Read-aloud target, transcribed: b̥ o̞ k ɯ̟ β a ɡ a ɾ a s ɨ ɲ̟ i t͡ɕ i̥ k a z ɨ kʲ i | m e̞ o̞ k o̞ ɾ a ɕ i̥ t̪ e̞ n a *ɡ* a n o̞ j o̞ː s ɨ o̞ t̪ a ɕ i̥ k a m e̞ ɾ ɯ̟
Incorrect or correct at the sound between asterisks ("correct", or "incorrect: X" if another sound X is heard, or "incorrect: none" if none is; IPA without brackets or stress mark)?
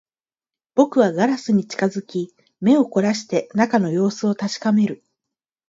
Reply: incorrect: k